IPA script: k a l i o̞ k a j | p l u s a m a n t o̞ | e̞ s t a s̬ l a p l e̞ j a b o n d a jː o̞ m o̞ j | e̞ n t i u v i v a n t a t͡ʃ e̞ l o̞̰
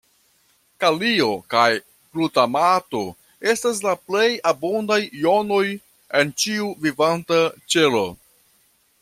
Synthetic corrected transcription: k a l i o̞ k a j | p l u t a m a t o̞ | e̞ s t a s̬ l a p l e̞ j a b o n d a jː o̞ n o̞ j | e̞ n t͡ʃ i u v i v a n t a t͡ʃ e̞ l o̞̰